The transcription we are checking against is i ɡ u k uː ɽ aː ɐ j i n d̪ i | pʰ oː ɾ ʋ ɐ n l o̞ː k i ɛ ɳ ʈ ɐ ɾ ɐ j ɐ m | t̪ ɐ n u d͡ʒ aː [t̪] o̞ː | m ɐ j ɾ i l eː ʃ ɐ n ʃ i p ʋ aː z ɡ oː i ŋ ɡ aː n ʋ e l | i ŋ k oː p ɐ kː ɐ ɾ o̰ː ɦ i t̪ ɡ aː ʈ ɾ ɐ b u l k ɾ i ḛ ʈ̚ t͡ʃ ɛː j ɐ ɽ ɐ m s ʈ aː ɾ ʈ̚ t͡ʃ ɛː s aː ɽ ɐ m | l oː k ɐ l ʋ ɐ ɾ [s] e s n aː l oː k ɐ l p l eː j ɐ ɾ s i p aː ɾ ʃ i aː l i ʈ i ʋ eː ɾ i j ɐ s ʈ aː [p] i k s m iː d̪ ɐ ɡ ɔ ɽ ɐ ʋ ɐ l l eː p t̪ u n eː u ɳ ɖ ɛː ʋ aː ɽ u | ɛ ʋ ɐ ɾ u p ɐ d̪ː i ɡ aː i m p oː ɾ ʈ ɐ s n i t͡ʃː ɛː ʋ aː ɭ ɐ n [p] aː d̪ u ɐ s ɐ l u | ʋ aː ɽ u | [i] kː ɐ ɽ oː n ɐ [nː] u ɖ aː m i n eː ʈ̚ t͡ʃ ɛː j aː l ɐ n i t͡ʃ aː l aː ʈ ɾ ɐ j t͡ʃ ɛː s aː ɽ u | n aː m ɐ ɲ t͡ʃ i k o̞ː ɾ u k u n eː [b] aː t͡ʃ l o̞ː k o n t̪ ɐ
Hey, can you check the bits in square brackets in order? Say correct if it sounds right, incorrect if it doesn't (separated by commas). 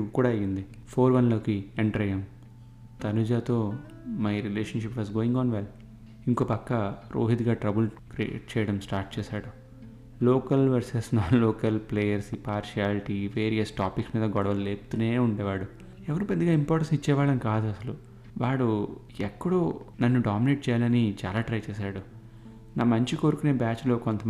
correct, correct, correct, incorrect, incorrect, correct, correct